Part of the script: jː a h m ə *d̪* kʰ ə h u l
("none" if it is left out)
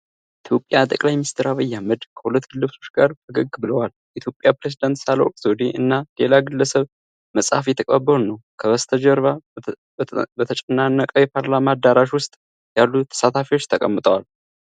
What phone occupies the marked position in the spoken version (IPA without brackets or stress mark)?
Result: d̪